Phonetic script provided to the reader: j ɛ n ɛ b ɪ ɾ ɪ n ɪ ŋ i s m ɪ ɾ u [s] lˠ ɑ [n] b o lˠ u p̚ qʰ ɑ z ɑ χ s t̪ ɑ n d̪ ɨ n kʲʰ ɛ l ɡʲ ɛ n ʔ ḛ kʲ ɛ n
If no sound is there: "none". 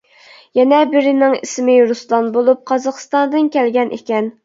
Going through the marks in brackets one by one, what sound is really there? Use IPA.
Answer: s, n

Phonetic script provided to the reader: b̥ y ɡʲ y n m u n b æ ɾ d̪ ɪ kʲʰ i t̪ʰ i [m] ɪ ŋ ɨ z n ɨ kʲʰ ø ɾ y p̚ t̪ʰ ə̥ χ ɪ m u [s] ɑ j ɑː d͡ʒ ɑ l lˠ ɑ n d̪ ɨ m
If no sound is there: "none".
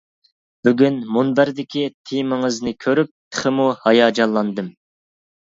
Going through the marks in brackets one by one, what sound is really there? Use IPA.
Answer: m, h

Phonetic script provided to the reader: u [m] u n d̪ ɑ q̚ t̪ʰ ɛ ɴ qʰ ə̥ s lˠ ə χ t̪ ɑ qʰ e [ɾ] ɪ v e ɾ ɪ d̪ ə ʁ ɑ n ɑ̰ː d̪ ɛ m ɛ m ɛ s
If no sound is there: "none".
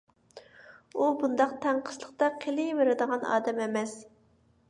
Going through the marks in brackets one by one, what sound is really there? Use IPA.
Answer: b, l

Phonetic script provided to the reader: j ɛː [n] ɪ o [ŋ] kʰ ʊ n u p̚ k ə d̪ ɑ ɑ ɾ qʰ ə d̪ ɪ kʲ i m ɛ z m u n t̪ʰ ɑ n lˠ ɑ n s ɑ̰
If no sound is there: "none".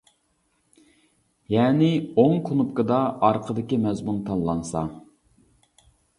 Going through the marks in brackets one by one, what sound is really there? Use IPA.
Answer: n, ŋ

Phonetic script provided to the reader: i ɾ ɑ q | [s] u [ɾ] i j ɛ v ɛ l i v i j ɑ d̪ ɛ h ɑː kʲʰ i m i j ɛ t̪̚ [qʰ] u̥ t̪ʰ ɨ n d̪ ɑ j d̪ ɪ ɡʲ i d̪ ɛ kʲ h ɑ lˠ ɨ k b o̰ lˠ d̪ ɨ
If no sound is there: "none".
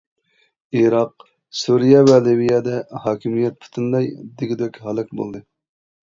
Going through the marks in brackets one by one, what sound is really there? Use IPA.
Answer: s, ɾ, pʰ

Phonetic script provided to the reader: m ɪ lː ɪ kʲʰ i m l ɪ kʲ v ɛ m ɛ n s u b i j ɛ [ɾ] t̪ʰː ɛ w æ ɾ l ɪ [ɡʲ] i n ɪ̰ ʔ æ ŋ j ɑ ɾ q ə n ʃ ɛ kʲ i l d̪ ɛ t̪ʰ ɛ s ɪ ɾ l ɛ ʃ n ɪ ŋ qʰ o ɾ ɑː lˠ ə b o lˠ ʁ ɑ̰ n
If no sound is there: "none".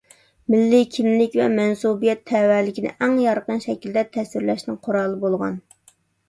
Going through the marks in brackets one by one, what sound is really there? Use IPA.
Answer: none, kʲ

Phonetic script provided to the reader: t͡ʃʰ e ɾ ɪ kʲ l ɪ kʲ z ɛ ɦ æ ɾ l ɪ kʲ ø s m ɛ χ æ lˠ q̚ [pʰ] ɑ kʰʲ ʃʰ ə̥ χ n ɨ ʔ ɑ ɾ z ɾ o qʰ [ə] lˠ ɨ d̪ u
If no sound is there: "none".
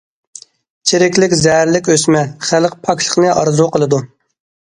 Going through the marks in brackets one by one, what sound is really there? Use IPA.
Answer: pʰ, ə

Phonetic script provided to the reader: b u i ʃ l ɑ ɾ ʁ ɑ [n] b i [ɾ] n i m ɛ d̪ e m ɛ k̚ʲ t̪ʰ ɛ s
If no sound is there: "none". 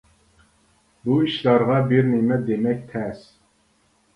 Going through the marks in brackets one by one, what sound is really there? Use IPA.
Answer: none, ɾ

